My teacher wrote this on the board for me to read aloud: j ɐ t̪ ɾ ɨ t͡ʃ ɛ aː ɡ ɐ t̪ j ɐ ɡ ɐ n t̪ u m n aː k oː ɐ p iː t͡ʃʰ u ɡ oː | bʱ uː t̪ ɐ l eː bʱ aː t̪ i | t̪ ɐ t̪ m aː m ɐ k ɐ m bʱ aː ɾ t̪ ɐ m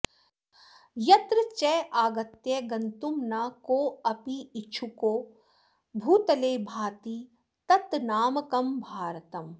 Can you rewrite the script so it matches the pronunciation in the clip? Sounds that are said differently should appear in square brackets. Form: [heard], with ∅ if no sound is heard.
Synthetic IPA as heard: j ɐ t̪ ɾ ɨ t͡ʃ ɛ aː ɡ ɐ t̪ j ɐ ɡ ɐ n t̪ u m n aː k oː ɐ p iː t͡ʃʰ u [k] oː | bʱ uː t̪ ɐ l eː bʱ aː t̪ i | t̪ ɐ t̪ [n] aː m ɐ k ɐ m bʱ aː ɾ t̪ ɐ m